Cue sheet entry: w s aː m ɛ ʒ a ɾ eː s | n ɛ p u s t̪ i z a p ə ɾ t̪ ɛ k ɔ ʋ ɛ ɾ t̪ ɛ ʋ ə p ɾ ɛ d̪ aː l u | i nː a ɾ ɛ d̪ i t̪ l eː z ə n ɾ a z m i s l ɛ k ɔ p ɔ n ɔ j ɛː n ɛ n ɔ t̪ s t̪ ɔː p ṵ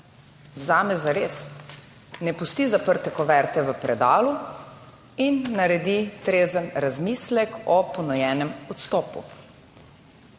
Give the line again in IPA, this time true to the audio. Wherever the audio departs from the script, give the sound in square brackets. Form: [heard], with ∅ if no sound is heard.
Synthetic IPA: w [z] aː m ɛ [z] a ɾ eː s | n ɛ p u s t̪ i z a p ə ɾ t̪ ɛ k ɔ ʋ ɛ ɾ t̪ ɛ ʋ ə p ɾ ɛ d̪ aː l u | i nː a ɾ ɛ d̪ i t̪ [ɾ] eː z ə n ɾ a z m i s l ɛ k ɔ p ɔ n ɔ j ɛː n ɛ [m] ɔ t̪ s t̪ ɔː p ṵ